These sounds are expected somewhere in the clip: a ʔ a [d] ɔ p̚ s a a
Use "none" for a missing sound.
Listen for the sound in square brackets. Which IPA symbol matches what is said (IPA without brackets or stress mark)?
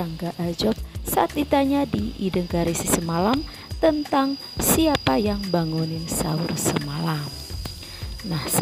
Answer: d͡ʒ